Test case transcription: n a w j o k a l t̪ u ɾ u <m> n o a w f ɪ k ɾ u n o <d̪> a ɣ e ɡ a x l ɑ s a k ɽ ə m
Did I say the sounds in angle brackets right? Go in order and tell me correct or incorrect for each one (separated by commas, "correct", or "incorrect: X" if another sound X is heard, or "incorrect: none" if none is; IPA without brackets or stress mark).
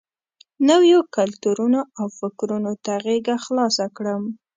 incorrect: none, incorrect: t̪